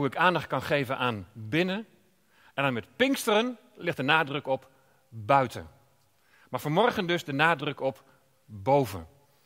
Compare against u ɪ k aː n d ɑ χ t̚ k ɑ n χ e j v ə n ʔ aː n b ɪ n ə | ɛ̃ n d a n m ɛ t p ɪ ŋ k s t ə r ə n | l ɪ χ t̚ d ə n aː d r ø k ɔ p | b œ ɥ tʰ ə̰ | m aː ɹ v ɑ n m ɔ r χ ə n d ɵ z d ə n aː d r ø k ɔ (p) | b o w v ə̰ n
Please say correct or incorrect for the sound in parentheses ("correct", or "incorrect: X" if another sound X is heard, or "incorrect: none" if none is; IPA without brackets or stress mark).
correct